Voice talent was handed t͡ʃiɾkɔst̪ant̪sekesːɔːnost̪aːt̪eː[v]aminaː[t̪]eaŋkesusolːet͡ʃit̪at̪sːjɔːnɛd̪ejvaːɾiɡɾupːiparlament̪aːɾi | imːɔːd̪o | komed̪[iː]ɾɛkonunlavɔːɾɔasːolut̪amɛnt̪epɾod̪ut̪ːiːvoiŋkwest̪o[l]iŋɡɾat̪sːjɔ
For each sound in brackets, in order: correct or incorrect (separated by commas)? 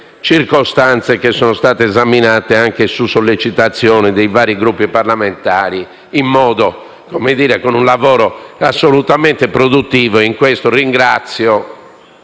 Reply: incorrect, correct, correct, incorrect